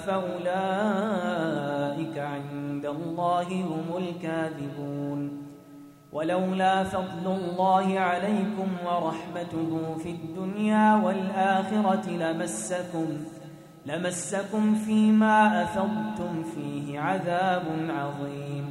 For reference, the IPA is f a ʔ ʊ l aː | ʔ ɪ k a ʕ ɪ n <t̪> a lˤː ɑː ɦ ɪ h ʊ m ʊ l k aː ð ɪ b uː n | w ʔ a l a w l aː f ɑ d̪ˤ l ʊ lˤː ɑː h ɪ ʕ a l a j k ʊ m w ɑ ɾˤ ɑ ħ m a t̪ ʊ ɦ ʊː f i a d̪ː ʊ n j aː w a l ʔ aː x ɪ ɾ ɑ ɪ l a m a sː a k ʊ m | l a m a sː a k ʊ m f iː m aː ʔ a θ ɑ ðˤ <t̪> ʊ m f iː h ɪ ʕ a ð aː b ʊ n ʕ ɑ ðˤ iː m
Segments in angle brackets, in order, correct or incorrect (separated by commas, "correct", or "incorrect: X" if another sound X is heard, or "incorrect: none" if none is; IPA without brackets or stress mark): incorrect: d̪, correct